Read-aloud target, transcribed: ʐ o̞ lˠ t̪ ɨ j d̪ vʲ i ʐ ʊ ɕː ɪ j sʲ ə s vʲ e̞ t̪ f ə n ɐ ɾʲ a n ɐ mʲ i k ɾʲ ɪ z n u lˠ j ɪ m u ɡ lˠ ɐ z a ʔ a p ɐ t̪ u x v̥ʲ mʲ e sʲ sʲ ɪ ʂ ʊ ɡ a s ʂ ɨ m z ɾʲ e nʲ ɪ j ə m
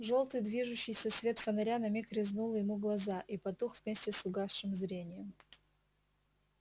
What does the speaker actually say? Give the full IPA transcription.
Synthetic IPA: ʐ o̞ lˠ t̪ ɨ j d̪ vʲ i ʐ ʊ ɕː ɪ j sʲ ə s vʲ e̞ t̪ f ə n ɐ ɾʲ a n ɐ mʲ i k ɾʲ ɪ z n u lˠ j ɪ m u ɡ lˠ ɐ z a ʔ i p ɐ t̪ u x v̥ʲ mʲ e sʲ tʲ ɪ s ʊ ɡ a s ʂ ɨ m z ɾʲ e nʲ ɪ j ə m

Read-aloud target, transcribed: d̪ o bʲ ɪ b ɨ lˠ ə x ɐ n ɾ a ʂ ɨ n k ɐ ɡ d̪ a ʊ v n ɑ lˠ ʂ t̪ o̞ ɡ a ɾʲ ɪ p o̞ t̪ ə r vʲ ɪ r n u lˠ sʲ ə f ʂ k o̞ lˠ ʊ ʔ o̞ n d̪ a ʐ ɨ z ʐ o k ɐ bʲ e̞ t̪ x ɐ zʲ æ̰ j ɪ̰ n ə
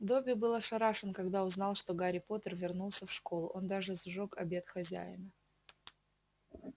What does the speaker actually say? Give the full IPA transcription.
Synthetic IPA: d̪ o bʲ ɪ b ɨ lˠ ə ʂ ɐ ɾ a ʂ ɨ n k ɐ ɡ d̪ a ʊ z n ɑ lˠ ʂ t̪ o̞ ɡ a ɾʲ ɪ p o̞ t̪ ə r vʲ ɪ r n u lˠ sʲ ə f ʂ k o̞ lˠ ʊ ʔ o̞ n d̪ a ʐ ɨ z ʐ o k ɐ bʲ e̞ t̪ x ɐ zʲ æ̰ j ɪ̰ n ə

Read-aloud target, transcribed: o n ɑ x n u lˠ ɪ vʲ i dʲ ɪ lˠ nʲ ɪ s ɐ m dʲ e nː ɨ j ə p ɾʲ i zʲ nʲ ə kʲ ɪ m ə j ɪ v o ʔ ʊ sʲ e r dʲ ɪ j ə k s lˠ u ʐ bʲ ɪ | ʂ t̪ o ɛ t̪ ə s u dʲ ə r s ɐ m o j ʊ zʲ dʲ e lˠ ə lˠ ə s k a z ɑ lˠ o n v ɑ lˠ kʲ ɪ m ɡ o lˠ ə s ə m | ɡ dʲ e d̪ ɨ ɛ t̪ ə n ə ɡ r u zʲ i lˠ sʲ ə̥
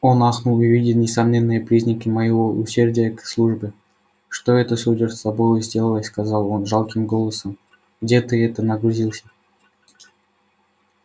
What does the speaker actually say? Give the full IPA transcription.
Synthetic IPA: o n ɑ x n u lˠ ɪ vʲ i dʲ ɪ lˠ nʲ ɪ s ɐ m nʲ e nː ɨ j ə p ɾʲ i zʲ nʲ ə kʲ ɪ m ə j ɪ v o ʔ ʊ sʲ e r dʲ ɪ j ə k s lˠ u ʐ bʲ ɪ | ʂ t̪ o ɛ t̪ ə s u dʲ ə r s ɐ b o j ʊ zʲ dʲ e lˠ ə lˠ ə s k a z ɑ lˠ o n ʐ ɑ lˠ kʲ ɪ m ɡ o lˠ ə s ə m | ɡ dʲ e t̪ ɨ ɛ t̪ ə n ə ɡ ɾ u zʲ i lˠ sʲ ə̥

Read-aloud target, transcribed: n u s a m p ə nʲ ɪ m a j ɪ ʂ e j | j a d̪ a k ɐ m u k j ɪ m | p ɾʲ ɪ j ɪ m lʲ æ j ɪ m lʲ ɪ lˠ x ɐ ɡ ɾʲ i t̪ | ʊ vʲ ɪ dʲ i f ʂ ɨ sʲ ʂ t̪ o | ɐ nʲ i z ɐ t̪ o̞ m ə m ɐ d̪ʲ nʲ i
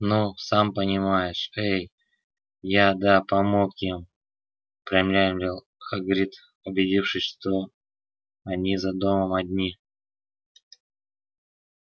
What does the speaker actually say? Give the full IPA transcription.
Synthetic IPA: n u s a m p ə nʲ ɪ m a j ɪ ʂ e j | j a d̪ a p ɐ m o k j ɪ m | p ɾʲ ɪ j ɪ m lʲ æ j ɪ m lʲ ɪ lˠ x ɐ ɡ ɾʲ i t̪ | ʊ bʲ ɪ dʲ i f ʂ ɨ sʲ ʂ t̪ o | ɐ nʲ i z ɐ d̪ o̞ m ə m ɐ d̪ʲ nʲ i

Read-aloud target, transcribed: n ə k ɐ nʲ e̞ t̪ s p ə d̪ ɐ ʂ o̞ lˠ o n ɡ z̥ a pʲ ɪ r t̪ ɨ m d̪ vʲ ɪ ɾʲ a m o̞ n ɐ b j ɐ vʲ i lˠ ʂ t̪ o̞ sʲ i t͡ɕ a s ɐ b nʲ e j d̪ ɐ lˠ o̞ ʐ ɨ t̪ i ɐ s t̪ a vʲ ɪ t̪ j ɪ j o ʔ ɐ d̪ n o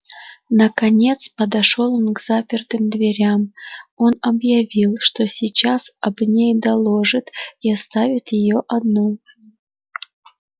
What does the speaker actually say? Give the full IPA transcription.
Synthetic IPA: n ə k ɐ nʲ e̞ t̪ s p ə d̪ ɐ ʂ o̞ lˠ o n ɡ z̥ a pʲ ɪ r t̪ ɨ m d̪ vʲ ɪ ɾʲ a m o̞ n ɐ b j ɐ vʲ i lˠ ʂ t̪ o̞ sʲ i t͡ɕ a s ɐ b nʲ e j d̪ ɐ lˠ o̞ ʐ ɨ t̪ i ɐ s t̪ a vʲ ɪ t̪ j ɪ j o ʔ ɐ d̪ n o

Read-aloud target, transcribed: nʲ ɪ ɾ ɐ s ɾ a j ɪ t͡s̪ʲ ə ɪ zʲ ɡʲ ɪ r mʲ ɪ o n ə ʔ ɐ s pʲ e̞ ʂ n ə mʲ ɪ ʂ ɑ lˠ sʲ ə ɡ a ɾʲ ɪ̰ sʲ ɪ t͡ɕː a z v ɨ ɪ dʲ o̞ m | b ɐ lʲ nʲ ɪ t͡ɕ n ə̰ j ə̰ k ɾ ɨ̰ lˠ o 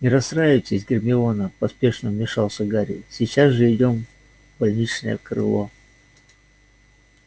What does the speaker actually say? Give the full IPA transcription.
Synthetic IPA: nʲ ɪ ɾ ɐ s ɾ a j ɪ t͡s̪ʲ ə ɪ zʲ ɡʲ ɪ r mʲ ɪ o n ə p ɐ s pʲ e̞ ʂ n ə mʲ ɪ ʂ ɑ lˠ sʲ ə ɡ a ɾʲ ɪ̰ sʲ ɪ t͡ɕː a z ʐ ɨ ɪ dʲ o̞ m | b ɐ lʲ nʲ i t͡ɕ n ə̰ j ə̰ k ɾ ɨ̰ lˠ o

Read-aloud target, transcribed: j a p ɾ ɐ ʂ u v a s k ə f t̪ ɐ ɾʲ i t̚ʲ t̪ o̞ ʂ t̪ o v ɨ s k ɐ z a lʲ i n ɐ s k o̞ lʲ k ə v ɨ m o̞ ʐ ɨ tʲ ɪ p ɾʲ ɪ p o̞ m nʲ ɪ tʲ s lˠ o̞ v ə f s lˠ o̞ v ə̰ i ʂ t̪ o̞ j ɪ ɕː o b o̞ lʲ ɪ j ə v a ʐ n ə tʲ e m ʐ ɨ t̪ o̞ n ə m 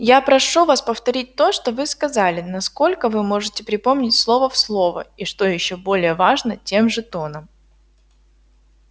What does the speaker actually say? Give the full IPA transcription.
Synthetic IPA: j a p ɾ ɐ ʂ u v a s p ə f t̪ ɐ ɾʲ i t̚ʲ t̪ o̞ ʂ t̪ o v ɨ s k ɐ z a lʲ ɪ n ɐ s k o̞ lʲ k ə v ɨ m o̞ ʐ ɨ tʲ ɪ p ɾʲ ɪ p o̞ m nʲ ɪ tʲ s lˠ o̞ v ə f s lˠ o̞ v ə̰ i ʂ t̪ o̞ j ɪ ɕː o b o̞ lʲ ɪ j ə v a ʐ n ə tʲ e m ʐ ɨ t̪ o̞ n ə m

